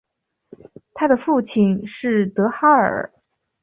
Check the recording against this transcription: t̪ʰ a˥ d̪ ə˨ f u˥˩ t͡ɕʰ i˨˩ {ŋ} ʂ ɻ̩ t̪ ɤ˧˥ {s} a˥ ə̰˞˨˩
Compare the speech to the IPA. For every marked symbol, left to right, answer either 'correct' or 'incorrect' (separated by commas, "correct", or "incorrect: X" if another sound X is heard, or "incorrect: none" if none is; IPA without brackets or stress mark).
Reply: incorrect: n, incorrect: x